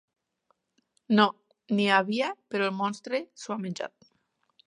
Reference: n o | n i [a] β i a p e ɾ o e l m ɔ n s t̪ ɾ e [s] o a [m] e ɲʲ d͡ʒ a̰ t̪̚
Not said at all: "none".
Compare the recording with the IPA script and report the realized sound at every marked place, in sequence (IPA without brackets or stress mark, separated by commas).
a, s, m